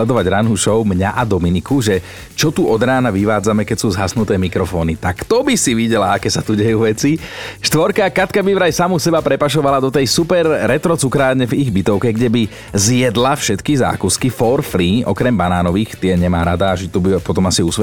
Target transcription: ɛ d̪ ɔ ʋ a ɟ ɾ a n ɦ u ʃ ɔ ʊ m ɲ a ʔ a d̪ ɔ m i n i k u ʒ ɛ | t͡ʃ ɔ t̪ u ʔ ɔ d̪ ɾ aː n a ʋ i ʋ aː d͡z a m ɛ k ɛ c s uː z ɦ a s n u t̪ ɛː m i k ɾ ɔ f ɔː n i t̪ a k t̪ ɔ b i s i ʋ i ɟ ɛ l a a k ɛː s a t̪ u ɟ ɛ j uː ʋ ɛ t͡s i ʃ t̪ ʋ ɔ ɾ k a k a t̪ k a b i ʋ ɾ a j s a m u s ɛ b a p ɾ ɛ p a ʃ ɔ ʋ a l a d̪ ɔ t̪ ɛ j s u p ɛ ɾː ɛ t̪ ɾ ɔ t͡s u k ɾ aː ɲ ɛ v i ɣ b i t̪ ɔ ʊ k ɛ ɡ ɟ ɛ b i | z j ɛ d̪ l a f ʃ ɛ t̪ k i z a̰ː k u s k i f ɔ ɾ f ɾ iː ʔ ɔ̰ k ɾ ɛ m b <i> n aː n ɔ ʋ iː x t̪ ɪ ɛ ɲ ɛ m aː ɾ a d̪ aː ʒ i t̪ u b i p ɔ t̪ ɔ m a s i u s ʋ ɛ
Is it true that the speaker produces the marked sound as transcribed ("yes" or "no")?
no